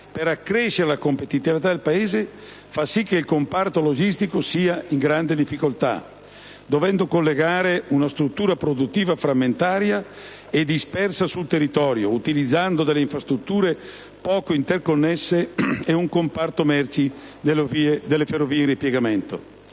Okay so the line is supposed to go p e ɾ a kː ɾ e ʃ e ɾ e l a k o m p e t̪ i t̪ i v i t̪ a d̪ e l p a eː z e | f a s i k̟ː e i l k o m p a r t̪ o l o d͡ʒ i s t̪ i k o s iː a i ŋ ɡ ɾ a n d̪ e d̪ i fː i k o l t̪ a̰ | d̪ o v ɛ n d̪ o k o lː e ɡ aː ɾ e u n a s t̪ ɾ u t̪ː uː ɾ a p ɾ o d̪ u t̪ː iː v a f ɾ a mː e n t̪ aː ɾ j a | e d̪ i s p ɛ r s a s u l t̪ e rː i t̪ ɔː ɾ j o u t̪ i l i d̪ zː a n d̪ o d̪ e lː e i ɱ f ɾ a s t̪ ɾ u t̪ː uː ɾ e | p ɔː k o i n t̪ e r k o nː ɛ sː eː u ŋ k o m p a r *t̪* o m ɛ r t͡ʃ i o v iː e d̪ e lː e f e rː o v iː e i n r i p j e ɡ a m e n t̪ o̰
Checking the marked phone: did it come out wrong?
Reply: no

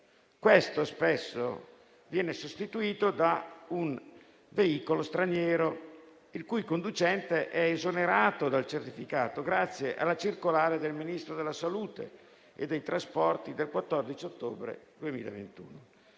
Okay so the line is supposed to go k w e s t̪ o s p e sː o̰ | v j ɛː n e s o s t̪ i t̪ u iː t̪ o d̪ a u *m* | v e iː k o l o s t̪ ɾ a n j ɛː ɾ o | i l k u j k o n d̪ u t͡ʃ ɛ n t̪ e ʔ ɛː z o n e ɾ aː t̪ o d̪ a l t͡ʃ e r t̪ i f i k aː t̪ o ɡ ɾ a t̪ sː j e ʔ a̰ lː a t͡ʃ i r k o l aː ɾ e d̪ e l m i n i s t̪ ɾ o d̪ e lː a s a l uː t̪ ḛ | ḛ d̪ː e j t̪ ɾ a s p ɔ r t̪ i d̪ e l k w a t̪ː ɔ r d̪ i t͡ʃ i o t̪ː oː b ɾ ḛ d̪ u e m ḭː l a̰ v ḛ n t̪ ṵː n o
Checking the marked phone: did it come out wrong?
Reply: yes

